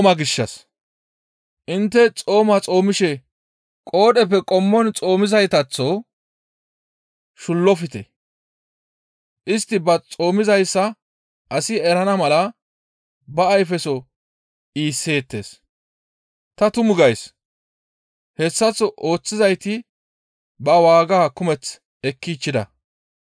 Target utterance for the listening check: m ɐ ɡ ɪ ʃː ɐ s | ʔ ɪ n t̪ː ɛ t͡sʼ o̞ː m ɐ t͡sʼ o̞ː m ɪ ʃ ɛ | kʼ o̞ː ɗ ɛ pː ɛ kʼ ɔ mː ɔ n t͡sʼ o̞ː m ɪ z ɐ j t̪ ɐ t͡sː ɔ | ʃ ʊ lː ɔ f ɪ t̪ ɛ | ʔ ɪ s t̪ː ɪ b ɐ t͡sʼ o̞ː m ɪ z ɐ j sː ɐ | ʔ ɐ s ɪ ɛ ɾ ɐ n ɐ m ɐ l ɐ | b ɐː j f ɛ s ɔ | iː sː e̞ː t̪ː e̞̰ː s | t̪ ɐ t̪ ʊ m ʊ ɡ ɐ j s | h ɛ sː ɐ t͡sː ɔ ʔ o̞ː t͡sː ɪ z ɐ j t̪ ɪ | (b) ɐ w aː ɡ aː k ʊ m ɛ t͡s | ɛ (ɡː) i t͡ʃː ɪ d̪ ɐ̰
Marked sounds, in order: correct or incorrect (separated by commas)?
correct, incorrect